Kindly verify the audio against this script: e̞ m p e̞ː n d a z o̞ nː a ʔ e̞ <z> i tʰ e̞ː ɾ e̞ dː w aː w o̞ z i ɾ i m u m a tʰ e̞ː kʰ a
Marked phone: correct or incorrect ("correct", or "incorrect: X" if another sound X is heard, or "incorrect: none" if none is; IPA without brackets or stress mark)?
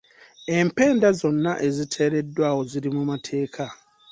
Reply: correct